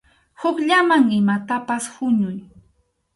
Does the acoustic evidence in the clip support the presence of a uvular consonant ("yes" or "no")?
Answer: no